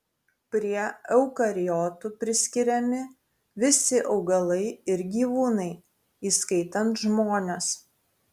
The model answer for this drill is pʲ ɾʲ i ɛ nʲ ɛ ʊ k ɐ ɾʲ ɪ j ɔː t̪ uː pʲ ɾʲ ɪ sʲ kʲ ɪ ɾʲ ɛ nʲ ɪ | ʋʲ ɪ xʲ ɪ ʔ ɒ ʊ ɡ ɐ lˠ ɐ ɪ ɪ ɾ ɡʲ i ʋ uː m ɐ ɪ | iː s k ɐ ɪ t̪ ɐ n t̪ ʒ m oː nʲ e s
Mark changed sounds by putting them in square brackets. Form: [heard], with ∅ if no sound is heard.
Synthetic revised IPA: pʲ ɾʲ i ɛ [∅] ɛ ʊ k ɐ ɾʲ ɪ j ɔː t̪ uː pʲ ɾʲ ɪ sʲ kʲ ɪ ɾʲ ɛ [mʲ] ɪ | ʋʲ ɪ [sʲ] ɪ ʔ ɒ ʊ ɡ ɐ lˠ ɐ ɪ ɪ ɾ ɡʲ [iː] ʋ uː [n] ɐ ɪ | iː s k ɐ ɪ t̪ ɐ n t̪ ʒ m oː nʲ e s